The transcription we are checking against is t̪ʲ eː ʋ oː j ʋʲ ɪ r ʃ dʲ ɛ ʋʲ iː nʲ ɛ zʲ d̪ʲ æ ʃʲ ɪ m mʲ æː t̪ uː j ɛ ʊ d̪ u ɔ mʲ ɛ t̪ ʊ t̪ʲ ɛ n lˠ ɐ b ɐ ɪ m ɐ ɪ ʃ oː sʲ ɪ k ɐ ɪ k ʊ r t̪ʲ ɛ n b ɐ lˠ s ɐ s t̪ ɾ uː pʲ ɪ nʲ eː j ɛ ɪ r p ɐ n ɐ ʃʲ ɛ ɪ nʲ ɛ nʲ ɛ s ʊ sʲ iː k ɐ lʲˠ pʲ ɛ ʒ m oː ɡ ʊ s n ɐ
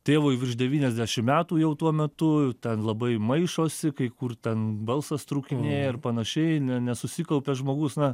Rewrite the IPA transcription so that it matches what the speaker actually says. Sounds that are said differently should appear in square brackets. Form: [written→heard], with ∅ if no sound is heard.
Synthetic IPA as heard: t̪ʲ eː ʋ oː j ʋʲ ɪ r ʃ dʲ ɛ ʋʲ iː nʲ ɛ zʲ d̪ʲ æ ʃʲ ɪ m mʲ æː t̪ uː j ɛ ʊ [d̪→t̪] u ɔ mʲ ɛ t̪ ʊ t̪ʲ ɛ n lˠ ɐ b ɐ ɪ m ɐ ɪ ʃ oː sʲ ɪ k ɐ ɪ k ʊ r t̪ʲ ɛ n b ɐ lˠ s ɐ s t̪ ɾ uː [pʲ→kʲ] ɪ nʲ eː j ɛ ɪ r p ɐ n ɐ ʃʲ ɛ ɪ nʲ ɛ nʲ ɛ s ʊ sʲ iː k ɐ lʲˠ pʲ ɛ ʒ m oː ɡ ʊ s n ɐ

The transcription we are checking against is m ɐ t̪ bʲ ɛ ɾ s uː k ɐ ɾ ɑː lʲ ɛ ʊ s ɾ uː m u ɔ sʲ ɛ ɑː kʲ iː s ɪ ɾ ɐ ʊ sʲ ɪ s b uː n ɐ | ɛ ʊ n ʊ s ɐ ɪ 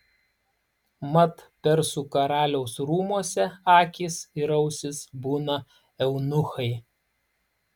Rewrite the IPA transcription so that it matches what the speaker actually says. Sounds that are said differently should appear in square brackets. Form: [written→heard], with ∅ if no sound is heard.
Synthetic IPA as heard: m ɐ t̪ [bʲ→pʲ] ɛ ɾ s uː k ɐ ɾ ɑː lʲ ɛ ʊ s ɾ uː m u ɔ sʲ ɛ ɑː kʲ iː s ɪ ɾ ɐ ʊ sʲ ɪ s b uː n ɐ | ɛ ʊ n ʊ [s→x] ɐ ɪ

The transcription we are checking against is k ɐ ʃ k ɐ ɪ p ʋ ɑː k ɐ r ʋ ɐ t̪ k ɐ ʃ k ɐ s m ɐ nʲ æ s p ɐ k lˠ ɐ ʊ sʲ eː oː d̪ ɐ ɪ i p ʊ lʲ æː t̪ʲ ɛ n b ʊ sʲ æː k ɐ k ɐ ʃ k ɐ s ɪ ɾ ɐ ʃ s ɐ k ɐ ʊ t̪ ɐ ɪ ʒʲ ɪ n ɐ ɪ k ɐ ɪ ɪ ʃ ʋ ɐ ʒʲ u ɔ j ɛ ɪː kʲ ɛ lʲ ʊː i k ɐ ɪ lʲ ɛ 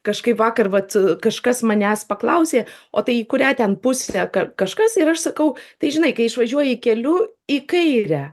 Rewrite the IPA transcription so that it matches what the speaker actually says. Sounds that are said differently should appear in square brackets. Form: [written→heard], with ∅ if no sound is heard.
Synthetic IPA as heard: k ɐ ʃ k ɐ ɪ p ʋ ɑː k ɐ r ʋ ɐ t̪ k ɐ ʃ k ɐ s m ɐ nʲ æ s p ɐ k lˠ ɐ ʊ sʲ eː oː [d̪→t̪] ɐ ɪ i [p→k] ʊ [lʲ→ɾʲ] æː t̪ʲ ɛ n [b→p] ʊ sʲ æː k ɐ k ɐ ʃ k ɐ s ɪ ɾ ɐ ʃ s ɐ k ɐ ʊ t̪ ɐ ɪ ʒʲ ɪ n ɐ ɪ k ɐ ɪ ɪ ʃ ʋ ɐ ʒʲ u ɔ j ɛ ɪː kʲ ɛ lʲ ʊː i k ɐ ɪ [lʲ→ɾʲ] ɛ

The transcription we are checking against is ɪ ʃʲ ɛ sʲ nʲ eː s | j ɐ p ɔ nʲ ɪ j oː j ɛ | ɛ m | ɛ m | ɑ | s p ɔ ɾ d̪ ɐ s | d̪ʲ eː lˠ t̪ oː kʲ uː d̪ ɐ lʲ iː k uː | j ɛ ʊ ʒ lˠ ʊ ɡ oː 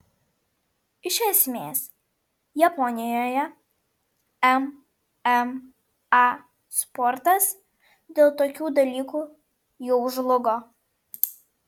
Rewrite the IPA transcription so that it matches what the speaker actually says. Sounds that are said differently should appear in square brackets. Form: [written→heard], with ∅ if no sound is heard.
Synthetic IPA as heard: ɪ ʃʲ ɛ sʲ [nʲ→mʲ] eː s | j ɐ p ɔ nʲ ɪ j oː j ɛ | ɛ m | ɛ m | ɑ | s p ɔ ɾ [d̪→t̪] ɐ s | d̪ʲ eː lˠ t̪ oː kʲ uː d̪ ɐ lʲ iː k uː | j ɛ ʊ ʒ lˠ ʊ ɡ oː

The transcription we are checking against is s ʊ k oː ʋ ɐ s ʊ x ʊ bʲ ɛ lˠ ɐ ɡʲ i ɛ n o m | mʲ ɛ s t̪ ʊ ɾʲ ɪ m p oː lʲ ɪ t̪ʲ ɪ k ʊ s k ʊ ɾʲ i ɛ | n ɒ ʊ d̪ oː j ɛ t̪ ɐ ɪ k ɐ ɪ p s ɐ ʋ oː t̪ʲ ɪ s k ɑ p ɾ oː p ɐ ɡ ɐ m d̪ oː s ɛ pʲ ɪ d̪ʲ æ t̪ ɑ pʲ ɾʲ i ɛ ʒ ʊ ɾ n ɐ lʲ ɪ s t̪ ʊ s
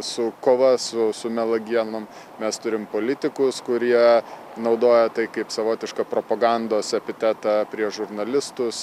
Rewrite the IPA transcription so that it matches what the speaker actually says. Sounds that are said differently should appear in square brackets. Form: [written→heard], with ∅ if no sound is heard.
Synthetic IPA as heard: s ʊ k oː ʋ ɐ s ʊ [x→s] ʊ [bʲ→mʲ] ɛ lˠ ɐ ɡʲ i ɛ n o m | mʲ ɛ s t̪ ʊ ɾʲ ɪ m p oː lʲ ɪ t̪ʲ ɪ k ʊ s k ʊ ɾʲ i ɛ | n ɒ ʊ d̪ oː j ɛ t̪ ɐ ɪ k ɐ ɪ p s ɐ ʋ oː t̪ʲ ɪ [s→ʃ] k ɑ p ɾ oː p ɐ ɡ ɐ [m→n] d̪ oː s ɛ pʲ ɪ [d̪ʲ→t̪ʲ] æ t̪ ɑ pʲ ɾʲ i ɛ ʒ ʊ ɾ n ɐ lʲ ɪ s t̪ ʊ s

